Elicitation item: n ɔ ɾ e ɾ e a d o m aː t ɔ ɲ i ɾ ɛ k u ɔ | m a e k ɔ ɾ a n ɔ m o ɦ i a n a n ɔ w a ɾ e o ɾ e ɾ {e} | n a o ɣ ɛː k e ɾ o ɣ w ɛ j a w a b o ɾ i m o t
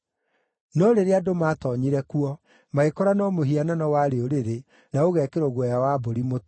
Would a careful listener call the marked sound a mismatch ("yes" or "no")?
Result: no